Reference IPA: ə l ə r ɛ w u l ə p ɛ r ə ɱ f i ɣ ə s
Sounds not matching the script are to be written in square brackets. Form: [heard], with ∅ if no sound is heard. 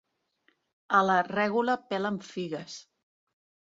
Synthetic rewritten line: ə l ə r ɛ [ɣ] u l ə p ɛ [l] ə ɱ f i ɣ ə s